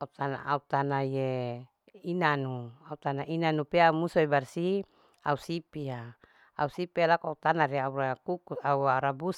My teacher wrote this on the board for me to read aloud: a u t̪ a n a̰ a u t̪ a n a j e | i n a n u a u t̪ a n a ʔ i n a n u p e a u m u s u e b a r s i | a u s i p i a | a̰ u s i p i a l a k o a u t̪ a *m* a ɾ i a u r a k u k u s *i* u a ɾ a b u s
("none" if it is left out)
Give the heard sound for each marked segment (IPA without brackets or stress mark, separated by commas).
n, a